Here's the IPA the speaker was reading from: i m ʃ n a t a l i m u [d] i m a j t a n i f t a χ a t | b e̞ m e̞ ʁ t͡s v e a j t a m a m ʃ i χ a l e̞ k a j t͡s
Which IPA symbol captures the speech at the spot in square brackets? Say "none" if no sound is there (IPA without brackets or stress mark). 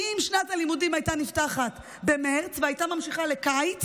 d